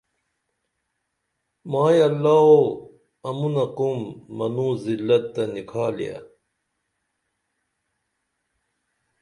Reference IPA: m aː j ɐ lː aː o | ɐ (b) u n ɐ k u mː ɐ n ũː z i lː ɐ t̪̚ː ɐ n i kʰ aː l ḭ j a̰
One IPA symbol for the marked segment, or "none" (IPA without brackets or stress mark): m